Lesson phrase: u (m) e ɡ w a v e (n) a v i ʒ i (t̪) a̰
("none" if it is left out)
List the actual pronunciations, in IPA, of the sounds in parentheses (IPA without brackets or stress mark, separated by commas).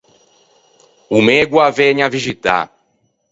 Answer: m, ɲ, t̪